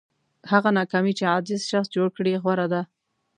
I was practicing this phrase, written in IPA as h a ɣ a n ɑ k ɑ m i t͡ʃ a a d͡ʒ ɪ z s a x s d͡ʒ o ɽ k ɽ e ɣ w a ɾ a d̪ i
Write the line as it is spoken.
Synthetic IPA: h a ɣ a n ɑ k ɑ m i t͡ʃ e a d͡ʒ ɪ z ʃ a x s d͡ʒ o ɽ k ɽ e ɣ w a ɾ a d̪ a